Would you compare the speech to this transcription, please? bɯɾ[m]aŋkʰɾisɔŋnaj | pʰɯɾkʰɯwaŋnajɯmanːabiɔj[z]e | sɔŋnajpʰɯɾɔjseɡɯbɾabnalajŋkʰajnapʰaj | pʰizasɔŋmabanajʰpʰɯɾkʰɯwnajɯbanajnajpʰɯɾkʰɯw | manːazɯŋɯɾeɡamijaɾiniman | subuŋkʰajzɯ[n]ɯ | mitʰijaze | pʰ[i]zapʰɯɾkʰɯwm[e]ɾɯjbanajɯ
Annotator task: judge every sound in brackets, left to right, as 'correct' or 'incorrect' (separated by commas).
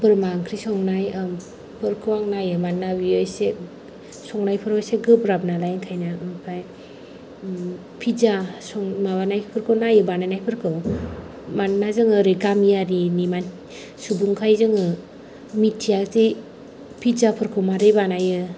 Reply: correct, incorrect, incorrect, correct, incorrect